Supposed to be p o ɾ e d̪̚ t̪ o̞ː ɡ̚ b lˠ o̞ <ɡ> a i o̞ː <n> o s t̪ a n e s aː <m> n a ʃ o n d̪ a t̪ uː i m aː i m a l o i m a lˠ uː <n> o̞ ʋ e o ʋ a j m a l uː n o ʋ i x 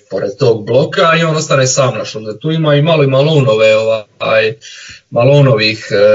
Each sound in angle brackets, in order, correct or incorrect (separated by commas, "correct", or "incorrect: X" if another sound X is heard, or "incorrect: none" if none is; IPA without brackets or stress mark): incorrect: k, correct, correct, correct